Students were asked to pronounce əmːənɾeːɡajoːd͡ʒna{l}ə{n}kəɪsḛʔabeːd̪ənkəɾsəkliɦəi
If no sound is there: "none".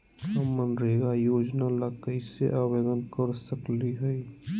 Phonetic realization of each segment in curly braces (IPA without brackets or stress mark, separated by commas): l, none